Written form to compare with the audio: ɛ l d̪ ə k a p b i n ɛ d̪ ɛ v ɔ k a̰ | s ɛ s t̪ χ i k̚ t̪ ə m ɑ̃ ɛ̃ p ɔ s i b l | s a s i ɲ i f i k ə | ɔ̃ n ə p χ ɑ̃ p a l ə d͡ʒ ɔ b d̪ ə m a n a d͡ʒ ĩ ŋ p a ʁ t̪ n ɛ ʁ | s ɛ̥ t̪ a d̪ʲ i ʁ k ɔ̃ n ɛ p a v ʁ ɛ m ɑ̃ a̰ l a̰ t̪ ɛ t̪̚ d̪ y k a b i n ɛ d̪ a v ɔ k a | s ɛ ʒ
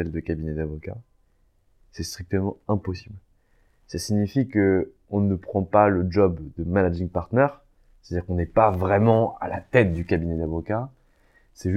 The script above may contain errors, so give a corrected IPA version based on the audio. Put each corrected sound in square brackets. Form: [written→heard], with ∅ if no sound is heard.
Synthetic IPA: ɛ l d̪ ə k a [p→∅] b i n ɛ d̪ [ɛ→a] v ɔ k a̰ | s ɛ s t̪ χ i k̚ t̪ ə m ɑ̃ ɛ̃ p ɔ s i b l | s a s i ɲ i f i k ə | ɔ̃ n ə p χ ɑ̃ p a l ə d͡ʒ ɔ b d̪ ə m a n a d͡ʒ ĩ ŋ p a ʁ t̪ n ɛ ʁ | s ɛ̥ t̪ a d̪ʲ i ʁ k ɔ̃ n ɛ p a v ʁ ɛ m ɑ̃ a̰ l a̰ t̪ ɛ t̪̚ d̪ y k a b i n ɛ d̪ a v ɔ k a | s ɛ ʒ